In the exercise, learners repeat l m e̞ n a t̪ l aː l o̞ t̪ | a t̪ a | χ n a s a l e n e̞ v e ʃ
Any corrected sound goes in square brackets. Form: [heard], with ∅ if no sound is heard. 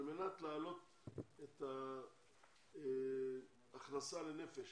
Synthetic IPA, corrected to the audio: l m e̞ n a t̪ l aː l o̞ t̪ | [e] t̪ a | χ n a s a l e n e̞ [f] e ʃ